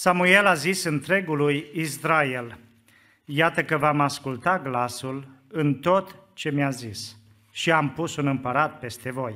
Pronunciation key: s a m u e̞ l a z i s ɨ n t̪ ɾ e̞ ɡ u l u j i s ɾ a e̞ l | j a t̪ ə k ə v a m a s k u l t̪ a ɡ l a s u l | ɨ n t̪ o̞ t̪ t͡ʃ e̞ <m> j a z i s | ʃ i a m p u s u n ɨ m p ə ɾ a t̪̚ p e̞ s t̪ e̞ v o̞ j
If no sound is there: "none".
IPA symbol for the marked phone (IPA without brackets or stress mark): m